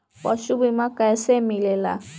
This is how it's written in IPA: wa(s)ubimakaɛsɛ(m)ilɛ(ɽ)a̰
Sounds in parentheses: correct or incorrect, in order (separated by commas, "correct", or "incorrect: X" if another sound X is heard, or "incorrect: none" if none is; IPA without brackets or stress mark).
incorrect: ʃ, correct, incorrect: l